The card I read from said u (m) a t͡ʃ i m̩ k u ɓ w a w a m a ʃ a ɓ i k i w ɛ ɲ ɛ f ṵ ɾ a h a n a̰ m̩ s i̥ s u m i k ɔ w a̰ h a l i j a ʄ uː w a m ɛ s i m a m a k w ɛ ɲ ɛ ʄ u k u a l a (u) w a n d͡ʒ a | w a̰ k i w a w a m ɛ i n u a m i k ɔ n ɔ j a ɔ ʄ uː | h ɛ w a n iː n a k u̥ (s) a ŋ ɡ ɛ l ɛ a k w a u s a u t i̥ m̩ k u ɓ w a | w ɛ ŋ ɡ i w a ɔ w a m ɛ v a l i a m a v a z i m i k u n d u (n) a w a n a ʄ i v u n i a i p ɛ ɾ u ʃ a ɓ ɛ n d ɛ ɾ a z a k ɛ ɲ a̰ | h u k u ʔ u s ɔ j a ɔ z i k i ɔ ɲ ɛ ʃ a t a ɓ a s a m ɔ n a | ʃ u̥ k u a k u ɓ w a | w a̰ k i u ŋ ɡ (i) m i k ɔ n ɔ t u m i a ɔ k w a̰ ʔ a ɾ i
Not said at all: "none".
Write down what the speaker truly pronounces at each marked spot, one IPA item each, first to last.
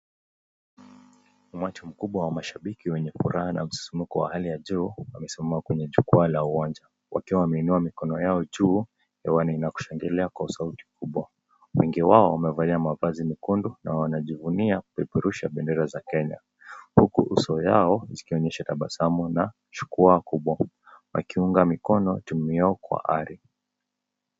m, u, ʃ, n, a

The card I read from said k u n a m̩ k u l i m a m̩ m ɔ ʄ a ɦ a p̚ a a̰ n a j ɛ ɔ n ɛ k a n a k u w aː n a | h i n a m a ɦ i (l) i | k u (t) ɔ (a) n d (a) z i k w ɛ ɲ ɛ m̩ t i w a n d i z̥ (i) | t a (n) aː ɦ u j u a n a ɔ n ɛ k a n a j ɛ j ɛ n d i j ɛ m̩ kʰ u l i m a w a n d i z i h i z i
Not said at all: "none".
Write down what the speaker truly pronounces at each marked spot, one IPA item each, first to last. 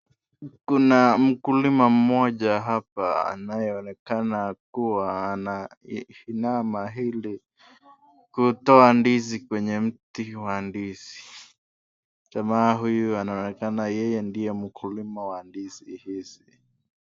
l, t, a, i, i, m

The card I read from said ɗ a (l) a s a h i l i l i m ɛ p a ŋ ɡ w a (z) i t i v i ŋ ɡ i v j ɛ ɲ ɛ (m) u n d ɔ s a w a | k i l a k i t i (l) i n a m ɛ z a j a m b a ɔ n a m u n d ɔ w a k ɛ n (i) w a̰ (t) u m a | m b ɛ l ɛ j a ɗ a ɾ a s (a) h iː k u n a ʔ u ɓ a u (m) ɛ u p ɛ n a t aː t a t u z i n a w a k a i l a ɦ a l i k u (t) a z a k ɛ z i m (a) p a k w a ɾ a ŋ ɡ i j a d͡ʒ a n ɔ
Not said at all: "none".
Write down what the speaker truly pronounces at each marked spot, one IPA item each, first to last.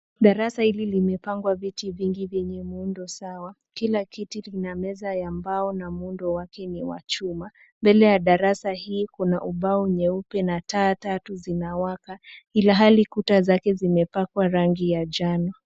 ɾ, v, m, l, i, t͡ʃ, a, ɲ, t, ɛ

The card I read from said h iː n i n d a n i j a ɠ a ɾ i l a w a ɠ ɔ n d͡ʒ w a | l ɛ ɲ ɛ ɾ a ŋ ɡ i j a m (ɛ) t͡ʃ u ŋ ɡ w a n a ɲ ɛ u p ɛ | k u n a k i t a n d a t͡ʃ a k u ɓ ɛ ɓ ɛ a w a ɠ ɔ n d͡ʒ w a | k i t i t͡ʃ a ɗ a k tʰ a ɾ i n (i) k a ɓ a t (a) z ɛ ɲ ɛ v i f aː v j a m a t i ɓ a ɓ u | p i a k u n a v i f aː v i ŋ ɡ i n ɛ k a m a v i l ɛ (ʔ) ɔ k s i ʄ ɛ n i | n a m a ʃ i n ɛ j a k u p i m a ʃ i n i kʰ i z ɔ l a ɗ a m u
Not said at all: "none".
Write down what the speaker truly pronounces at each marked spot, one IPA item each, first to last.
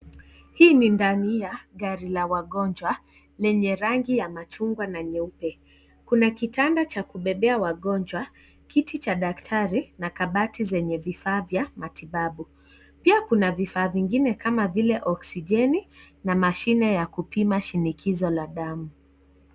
a, a, i, ʔ

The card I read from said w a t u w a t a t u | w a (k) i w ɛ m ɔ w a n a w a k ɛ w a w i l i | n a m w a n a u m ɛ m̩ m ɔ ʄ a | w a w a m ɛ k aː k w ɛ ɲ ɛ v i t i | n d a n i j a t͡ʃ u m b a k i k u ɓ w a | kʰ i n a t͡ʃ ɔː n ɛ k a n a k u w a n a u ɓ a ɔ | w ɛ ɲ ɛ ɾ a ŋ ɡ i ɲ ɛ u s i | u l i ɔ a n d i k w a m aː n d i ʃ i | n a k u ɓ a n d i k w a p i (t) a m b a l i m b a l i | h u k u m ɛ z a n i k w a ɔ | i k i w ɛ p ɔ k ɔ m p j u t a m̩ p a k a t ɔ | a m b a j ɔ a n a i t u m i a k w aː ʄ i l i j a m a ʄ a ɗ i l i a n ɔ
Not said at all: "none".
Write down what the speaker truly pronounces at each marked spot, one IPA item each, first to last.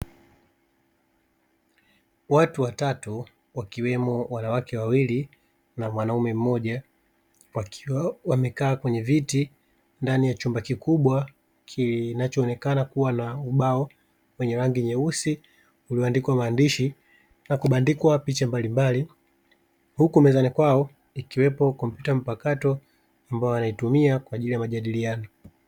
k, t͡ʃ

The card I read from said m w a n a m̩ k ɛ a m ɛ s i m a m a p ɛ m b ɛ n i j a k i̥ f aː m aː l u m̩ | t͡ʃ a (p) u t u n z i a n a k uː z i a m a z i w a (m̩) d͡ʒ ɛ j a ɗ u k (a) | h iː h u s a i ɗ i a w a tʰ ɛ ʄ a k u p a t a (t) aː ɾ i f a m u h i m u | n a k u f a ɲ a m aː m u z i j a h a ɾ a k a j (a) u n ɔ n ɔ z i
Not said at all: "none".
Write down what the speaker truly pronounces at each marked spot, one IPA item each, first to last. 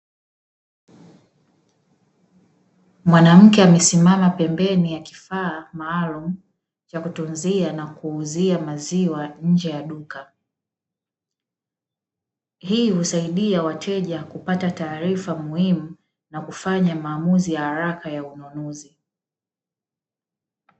k, ɲ̩, a, t, a

